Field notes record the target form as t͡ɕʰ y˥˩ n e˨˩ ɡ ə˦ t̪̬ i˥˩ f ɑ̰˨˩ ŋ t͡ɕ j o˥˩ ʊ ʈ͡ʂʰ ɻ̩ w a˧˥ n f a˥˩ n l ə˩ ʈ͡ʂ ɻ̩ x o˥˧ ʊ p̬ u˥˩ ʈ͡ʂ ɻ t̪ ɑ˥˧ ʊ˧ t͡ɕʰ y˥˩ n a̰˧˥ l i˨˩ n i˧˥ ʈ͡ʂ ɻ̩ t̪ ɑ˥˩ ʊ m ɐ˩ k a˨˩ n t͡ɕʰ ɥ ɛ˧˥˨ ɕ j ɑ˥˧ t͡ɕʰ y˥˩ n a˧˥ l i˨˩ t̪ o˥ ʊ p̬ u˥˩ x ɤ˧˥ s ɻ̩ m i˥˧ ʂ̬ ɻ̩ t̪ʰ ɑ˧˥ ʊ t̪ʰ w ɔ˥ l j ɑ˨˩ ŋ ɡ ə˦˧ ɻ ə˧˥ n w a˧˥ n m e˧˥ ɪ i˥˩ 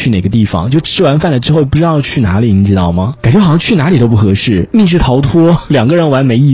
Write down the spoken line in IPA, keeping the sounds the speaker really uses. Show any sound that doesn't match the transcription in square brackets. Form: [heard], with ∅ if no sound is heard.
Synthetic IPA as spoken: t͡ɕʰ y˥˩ n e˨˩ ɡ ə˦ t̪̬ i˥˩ f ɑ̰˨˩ ŋ t͡ɕ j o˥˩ ʊ ʈ͡ʂʰ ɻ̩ w a˧˥ n f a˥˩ n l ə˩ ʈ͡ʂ ɻ̩ x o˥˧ ʊ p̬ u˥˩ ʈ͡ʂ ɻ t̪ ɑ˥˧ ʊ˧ t͡ɕʰ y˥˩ n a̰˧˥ l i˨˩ n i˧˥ ʈ͡ʂ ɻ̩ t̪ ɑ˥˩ ʊ m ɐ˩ k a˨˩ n [t͡ɕ] ɥ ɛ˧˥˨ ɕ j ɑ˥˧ t͡ɕʰ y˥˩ n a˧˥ l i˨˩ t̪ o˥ ʊ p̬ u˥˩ x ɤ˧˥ [ʂ] ɻ̩ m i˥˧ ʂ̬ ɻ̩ t̪ʰ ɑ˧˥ ʊ t̪ʰ w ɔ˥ l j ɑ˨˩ ŋ ɡ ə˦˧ ɻ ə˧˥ n w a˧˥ n m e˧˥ ɪ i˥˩